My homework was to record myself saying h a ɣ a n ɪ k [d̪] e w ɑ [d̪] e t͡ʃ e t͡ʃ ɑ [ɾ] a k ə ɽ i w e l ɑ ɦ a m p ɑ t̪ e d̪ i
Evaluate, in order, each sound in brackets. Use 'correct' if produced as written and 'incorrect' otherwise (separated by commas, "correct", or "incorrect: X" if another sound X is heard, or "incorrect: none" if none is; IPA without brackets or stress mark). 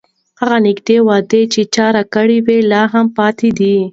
correct, correct, correct